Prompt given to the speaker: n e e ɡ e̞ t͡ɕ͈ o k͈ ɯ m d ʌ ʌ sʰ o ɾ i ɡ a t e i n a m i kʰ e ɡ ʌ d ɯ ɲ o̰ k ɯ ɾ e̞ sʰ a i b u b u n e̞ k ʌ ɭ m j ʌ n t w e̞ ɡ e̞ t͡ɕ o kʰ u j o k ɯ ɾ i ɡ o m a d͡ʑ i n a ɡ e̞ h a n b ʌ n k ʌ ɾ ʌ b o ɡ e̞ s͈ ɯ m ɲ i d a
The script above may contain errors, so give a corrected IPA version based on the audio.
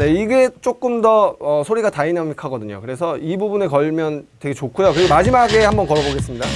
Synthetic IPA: n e i ɡ e̞ t͡ɕ͈ o k͈ ɯ m d ʌ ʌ sʰ o ɾ i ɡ a t a i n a m i kʰ a ɡ ʌ d ɯ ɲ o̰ k ɯ ɾ e̞ sʰ ʌ i b u b u n e̞ k ʌ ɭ m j ʌ n t w e̞ ɡ e̞ t͡ɕ o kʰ u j o k ɯ ɾ i ɡ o m a d͡ʑ i m a ɡ e̞ h a m b ʌ n k ʌ ɾ ʌ b o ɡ e̞ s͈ ɯ m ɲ i d a